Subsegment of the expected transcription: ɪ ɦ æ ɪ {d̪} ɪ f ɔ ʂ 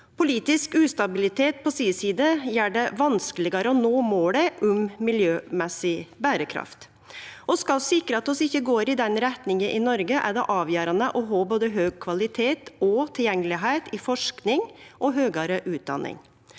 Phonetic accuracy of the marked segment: incorrect: t̪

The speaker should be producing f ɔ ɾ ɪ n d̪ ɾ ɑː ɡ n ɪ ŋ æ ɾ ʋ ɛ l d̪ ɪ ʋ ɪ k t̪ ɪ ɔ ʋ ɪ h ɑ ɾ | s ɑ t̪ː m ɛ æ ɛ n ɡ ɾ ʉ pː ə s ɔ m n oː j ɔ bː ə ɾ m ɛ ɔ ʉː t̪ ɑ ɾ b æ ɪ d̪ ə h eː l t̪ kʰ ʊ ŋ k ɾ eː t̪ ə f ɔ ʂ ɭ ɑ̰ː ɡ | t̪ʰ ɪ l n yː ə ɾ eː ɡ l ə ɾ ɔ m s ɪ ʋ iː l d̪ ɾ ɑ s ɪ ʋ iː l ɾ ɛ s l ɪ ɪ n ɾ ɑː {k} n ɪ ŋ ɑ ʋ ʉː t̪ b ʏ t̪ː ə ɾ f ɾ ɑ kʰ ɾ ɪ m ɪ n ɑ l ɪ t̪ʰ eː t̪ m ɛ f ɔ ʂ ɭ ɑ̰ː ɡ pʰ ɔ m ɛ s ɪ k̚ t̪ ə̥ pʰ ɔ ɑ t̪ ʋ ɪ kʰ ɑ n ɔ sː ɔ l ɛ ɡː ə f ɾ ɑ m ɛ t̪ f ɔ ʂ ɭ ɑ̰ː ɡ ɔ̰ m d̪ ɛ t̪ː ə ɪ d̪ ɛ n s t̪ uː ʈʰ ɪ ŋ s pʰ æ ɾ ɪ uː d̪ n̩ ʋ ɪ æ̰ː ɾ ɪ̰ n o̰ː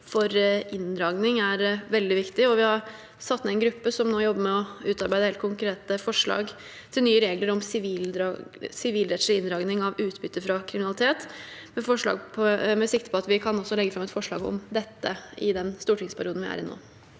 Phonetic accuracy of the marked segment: incorrect: ɡ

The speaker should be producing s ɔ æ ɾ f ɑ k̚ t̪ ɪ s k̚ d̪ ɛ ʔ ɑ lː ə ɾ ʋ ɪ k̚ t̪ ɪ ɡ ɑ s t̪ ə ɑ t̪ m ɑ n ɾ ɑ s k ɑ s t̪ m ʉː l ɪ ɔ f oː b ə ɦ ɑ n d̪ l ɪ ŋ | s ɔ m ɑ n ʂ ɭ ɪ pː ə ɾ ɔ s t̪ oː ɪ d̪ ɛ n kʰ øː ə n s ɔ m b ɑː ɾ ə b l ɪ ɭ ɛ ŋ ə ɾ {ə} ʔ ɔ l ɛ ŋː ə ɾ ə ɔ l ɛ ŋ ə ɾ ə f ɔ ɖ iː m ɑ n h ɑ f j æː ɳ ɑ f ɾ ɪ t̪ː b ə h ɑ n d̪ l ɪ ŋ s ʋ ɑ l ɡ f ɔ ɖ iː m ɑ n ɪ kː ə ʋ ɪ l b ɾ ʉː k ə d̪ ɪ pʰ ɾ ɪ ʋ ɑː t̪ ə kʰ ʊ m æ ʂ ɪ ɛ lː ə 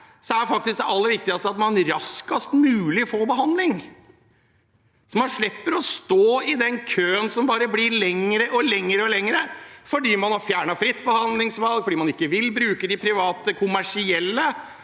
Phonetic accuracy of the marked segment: correct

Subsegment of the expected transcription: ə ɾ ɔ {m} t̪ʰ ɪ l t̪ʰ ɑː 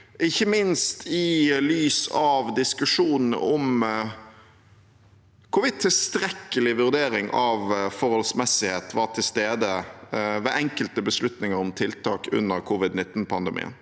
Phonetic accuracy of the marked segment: correct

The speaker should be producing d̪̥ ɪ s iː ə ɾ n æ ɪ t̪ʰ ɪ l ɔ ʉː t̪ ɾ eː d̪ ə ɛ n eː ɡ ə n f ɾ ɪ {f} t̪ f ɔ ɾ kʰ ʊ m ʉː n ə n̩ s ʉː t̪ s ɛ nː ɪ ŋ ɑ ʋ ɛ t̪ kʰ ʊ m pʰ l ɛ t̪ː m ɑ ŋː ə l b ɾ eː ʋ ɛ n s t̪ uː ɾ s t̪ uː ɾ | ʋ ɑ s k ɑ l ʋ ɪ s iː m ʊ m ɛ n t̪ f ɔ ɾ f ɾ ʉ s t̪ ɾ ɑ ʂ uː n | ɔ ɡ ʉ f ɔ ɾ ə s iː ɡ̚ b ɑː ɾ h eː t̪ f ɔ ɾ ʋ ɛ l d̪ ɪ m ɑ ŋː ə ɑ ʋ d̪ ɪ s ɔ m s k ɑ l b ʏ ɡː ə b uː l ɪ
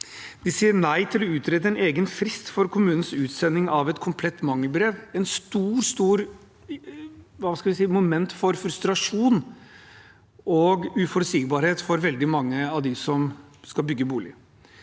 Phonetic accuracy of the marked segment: incorrect: s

